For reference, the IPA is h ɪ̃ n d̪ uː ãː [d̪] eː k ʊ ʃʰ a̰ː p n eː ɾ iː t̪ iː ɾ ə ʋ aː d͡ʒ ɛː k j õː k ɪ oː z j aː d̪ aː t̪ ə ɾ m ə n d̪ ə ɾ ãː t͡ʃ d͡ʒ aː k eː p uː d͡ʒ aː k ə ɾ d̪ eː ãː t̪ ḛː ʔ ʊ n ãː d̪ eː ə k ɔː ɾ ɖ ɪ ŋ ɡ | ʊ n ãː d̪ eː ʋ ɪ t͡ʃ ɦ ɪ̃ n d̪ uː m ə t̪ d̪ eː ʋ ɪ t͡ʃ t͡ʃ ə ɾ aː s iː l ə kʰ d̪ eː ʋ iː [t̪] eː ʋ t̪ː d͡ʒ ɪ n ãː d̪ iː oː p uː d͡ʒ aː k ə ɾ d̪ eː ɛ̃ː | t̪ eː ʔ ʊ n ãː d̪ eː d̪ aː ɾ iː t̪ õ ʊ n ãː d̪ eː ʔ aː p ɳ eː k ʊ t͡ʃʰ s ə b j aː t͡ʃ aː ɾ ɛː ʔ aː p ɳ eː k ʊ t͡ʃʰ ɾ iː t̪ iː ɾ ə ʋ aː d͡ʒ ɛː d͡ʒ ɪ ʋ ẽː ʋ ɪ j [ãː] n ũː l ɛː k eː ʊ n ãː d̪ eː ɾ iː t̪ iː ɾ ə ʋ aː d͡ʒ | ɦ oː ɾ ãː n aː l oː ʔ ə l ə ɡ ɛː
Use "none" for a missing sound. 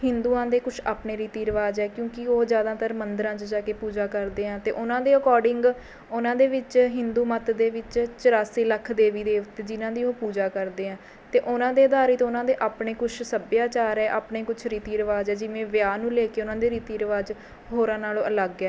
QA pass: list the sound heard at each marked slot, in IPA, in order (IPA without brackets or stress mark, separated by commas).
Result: d̪, d̪, aː